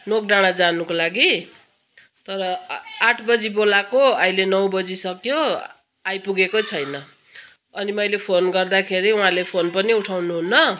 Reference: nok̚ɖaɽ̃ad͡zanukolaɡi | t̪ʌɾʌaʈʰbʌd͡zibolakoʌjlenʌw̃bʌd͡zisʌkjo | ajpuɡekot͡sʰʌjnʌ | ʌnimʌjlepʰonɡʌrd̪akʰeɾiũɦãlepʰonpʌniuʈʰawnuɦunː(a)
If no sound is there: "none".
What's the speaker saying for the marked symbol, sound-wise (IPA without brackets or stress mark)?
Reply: ʌ